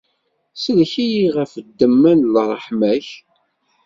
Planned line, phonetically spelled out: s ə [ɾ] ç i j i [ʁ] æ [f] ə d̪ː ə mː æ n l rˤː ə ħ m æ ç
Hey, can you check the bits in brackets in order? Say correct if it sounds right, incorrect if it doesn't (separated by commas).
incorrect, correct, correct